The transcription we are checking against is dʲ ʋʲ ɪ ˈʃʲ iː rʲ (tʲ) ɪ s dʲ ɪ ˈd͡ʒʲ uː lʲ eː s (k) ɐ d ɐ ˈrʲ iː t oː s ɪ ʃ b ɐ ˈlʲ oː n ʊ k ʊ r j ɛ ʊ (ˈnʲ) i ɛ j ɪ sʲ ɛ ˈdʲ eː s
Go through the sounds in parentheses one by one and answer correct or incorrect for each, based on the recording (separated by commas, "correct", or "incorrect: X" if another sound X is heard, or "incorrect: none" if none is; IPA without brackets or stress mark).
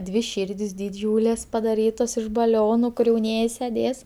incorrect: dʲ, incorrect: p, correct